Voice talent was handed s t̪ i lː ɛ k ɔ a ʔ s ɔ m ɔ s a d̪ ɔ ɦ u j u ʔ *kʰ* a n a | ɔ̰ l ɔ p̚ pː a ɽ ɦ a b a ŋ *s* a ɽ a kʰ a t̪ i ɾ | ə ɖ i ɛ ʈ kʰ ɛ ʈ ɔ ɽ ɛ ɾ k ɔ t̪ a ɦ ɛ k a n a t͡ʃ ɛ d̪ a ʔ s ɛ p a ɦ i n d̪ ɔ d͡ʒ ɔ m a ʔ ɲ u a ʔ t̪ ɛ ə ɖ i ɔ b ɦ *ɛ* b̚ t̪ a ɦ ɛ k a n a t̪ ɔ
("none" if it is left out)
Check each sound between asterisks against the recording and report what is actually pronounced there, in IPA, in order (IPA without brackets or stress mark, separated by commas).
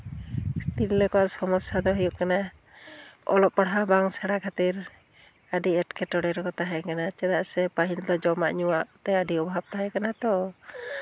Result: k, s, a